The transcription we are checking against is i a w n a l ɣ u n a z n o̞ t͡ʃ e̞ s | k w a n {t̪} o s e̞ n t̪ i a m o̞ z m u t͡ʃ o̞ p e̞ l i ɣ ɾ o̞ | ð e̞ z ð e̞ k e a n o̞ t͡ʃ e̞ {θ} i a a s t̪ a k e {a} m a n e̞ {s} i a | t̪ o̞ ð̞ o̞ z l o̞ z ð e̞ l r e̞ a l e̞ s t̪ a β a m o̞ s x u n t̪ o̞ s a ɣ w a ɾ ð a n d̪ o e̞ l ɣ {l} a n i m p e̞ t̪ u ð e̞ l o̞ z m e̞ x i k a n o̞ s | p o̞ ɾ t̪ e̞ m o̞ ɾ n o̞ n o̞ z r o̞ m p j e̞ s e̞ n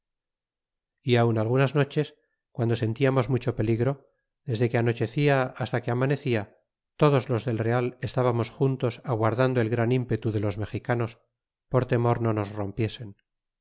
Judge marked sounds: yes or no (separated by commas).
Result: no, yes, yes, no, no